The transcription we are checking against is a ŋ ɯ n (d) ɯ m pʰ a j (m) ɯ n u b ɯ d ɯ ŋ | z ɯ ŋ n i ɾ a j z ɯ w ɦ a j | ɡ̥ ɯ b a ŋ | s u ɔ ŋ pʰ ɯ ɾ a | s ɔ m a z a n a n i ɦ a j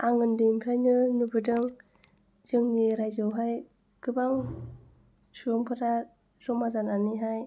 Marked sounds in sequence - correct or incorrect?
correct, incorrect: n

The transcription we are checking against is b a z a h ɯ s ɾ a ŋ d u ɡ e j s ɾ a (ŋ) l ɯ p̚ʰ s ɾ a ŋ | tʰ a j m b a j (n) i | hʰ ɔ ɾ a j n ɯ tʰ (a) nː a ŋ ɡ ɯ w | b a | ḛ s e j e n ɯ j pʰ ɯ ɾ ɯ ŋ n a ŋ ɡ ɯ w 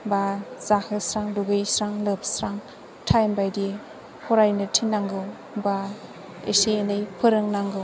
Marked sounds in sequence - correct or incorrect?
correct, incorrect: d, incorrect: i

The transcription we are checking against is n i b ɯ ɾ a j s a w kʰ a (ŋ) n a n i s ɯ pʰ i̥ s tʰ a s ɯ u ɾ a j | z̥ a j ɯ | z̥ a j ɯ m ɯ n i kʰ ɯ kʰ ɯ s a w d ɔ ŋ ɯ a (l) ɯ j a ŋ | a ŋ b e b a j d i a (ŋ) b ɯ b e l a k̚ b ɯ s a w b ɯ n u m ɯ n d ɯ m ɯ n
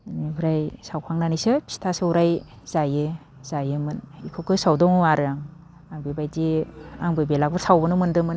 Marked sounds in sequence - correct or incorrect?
correct, incorrect: ɾ, correct

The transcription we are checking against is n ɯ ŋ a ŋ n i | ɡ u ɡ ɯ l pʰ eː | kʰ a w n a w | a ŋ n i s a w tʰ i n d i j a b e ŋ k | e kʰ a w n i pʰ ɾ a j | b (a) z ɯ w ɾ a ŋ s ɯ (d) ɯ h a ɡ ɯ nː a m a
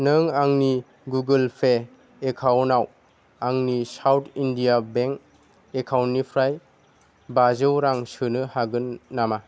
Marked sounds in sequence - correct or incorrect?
correct, incorrect: n

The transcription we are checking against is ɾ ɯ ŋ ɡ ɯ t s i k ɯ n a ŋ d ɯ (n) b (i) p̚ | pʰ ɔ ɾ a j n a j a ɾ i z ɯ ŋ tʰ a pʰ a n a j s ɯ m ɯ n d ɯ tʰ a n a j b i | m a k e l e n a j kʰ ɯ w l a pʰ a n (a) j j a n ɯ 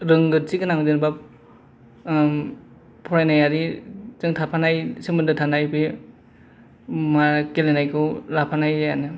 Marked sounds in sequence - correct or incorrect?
correct, incorrect: a, correct

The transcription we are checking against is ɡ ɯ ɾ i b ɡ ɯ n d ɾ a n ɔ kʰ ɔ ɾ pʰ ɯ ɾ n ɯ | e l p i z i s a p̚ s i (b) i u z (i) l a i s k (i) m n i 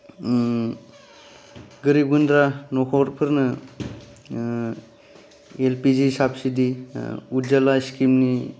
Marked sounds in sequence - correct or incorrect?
incorrect: d, incorrect: a, correct

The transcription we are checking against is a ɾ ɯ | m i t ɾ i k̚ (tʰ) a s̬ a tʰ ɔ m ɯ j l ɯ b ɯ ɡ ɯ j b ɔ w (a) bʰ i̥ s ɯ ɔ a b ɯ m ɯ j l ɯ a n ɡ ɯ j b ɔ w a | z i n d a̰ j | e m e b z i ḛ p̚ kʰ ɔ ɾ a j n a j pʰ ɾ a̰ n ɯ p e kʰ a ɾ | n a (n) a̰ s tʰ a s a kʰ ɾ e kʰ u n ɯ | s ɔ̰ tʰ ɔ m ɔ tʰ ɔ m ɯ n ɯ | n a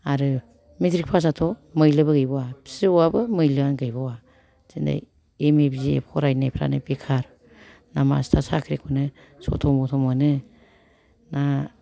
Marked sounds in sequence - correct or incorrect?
incorrect: pʰ, correct, incorrect: m

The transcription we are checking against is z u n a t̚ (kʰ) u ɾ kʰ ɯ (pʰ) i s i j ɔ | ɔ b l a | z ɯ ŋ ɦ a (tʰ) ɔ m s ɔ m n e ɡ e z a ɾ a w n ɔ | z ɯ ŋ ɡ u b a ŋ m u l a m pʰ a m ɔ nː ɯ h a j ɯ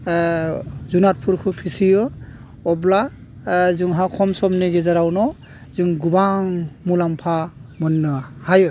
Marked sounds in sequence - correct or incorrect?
incorrect: pʰ, correct, incorrect: kʰ

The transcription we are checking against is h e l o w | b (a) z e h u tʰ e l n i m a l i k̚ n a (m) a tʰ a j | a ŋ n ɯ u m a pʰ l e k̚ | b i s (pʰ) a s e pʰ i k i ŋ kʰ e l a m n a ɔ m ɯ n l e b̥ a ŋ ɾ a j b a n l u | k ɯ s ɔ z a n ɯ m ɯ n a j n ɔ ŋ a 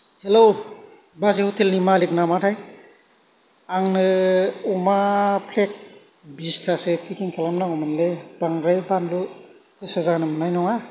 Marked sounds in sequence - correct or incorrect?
correct, correct, incorrect: tʰ

